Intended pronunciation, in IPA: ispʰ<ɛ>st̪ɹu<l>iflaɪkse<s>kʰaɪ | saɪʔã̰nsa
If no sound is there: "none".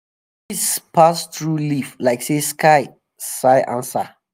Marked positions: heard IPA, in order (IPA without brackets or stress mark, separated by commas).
a, l, s